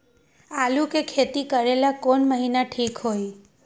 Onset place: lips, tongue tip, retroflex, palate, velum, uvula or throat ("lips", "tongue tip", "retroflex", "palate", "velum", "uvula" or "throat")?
tongue tip